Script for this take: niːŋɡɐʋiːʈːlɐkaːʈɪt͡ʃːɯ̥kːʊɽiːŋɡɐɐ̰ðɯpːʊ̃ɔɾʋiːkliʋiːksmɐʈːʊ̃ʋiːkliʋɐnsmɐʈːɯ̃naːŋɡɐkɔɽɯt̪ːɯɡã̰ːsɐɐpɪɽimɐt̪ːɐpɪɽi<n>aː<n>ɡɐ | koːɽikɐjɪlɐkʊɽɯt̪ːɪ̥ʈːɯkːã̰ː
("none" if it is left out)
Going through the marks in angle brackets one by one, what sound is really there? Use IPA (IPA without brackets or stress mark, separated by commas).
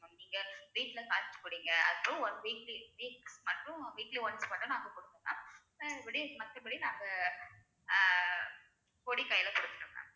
n, ŋ